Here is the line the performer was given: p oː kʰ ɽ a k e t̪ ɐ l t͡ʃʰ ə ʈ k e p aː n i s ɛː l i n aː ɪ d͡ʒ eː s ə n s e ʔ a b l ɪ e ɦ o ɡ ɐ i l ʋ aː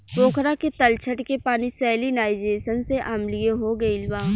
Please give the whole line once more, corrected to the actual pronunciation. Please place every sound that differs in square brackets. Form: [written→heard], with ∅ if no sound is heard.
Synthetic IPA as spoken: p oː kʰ [ɽ→ɾ] a k e t̪ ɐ l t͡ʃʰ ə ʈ k e p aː n i s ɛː l i n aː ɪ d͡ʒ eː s ə n s e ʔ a [b→m] l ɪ e ɦ o ɡ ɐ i l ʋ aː